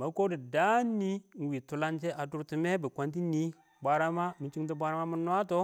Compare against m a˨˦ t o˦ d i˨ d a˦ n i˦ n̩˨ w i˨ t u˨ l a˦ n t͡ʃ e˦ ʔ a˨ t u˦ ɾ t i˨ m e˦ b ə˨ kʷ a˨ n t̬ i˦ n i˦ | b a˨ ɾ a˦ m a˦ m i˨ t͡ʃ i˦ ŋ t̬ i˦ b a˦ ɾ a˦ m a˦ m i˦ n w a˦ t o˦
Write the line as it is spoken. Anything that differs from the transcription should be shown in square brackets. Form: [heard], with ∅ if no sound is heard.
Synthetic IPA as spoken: m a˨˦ [k] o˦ d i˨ d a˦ n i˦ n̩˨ w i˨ t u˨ l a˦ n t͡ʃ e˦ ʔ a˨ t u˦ ɾ t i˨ m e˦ b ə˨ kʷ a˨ n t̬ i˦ n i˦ | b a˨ ɾ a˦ m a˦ m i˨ t͡ʃ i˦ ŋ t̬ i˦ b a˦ ɾ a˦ m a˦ m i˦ n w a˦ t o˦